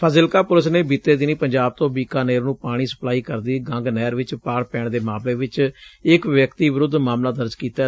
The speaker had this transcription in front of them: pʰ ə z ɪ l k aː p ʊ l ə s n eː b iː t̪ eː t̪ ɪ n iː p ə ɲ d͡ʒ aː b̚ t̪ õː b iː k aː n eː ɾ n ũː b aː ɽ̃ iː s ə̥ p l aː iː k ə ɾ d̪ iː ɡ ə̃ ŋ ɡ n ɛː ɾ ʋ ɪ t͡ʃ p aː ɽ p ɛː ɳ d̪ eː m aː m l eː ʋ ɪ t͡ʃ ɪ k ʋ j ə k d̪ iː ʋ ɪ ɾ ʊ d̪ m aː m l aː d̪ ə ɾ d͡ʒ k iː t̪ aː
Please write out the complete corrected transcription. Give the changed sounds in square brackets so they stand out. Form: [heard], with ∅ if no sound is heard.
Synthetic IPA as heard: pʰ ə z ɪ l k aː p ʊ l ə s n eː b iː t̪ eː [d̪] ɪ n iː p ə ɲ d͡ʒ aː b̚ t̪ õː b iː k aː n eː ɾ n ũː [p] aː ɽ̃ iː s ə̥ p l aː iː k ə ɾ d̪ iː ɡ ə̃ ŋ ɡ n ɛː ɾ ʋ ɪ t͡ʃ p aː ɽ p ɛː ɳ d̪ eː m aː m l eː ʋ ɪ t͡ʃ ɪ k ʋ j ə k [t̪] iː ʋ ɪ ɾ ʊ d̪ m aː m l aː d̪ ə ɾ d͡ʒ k iː t̪ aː